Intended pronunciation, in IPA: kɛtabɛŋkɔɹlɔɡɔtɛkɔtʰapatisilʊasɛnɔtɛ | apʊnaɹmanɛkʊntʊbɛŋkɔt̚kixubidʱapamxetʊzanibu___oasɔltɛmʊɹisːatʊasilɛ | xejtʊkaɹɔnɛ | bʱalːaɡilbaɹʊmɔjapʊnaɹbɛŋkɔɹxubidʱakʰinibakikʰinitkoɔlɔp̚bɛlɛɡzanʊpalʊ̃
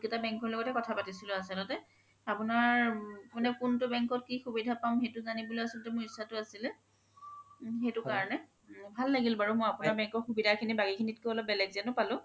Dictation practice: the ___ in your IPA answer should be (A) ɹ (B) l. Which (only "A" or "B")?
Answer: B